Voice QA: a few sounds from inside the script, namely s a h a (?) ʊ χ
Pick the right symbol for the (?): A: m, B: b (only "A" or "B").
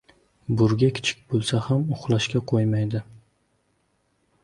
A